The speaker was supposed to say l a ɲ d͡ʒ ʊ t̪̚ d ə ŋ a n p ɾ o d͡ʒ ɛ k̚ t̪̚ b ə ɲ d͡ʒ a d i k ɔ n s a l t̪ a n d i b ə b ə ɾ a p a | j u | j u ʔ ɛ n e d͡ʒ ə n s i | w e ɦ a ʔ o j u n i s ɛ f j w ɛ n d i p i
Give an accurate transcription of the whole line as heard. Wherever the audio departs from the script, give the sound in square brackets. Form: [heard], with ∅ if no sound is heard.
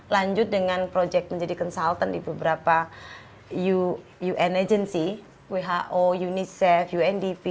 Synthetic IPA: l a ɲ d͡ʒ ʊ t̪̚ d ə ŋ a n p ɾ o d͡ʒ ɛ k̚ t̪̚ [m] ə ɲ d͡ʒ a d i k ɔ n s a l t̪ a n d i b ə b ə ɾ a p a | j u | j u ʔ ɛ n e d͡ʒ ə n s i | w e ɦ a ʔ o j u n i s ɛ f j [u] ɛ n d i p i